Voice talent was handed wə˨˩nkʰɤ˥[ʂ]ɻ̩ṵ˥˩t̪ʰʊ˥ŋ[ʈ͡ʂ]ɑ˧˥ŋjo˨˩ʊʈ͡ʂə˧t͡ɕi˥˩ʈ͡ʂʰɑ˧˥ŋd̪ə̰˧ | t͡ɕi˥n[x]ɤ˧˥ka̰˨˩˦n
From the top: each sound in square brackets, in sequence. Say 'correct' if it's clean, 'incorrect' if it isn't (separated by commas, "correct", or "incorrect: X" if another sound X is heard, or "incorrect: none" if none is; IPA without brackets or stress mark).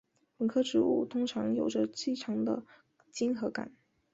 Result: incorrect: ʈ͡ʂ, incorrect: ʈ͡ʂʰ, correct